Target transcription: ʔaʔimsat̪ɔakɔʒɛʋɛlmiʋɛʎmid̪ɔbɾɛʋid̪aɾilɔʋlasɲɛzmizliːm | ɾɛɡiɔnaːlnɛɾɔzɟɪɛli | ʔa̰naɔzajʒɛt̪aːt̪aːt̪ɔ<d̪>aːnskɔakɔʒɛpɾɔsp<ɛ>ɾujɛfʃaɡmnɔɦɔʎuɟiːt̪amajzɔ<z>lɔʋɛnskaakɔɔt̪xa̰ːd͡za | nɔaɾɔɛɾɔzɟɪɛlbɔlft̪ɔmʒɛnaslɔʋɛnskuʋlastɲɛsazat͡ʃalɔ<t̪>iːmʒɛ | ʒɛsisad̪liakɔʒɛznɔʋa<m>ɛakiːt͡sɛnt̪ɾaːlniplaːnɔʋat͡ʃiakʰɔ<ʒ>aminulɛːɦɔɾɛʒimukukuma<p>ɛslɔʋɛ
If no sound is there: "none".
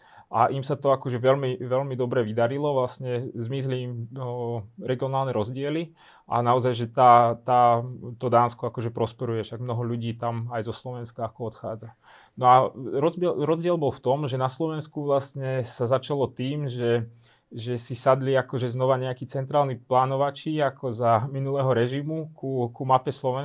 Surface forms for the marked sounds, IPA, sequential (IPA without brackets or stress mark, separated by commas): d̪, ɛ, s, t̪, ɲ, z, p